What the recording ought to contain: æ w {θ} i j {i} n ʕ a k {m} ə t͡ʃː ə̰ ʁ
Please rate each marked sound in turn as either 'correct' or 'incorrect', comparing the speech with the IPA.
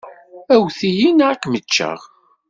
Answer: correct, correct, correct

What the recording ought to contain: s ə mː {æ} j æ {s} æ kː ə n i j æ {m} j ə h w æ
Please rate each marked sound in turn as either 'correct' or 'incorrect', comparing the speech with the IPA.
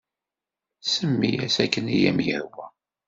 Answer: incorrect, correct, correct

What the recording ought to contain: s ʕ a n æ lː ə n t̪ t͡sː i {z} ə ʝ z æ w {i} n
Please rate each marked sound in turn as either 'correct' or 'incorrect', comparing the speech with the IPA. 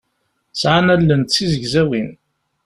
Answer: correct, correct

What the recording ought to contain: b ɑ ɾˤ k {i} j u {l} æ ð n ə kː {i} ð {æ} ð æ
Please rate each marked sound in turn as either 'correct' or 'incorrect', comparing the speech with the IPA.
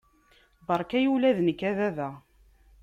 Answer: incorrect, correct, incorrect, correct

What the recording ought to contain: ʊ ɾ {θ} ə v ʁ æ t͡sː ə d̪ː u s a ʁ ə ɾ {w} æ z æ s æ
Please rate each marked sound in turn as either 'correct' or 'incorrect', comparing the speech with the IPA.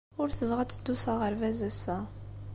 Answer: correct, incorrect

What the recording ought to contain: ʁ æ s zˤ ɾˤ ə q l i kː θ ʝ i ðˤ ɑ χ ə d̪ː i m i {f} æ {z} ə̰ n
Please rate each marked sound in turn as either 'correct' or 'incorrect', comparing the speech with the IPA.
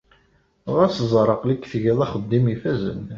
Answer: correct, correct

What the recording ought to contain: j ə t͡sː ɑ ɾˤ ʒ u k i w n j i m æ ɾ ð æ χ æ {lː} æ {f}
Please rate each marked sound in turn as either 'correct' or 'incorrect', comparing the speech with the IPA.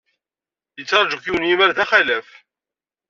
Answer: incorrect, correct

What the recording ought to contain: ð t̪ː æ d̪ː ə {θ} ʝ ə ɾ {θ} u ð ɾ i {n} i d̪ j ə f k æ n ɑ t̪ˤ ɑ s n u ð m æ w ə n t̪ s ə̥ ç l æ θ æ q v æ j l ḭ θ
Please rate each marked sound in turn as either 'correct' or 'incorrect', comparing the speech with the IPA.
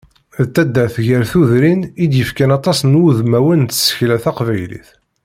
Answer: correct, correct, correct

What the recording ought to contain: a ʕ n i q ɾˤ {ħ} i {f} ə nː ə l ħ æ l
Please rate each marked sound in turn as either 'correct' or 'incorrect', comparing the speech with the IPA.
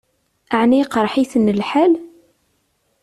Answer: correct, incorrect

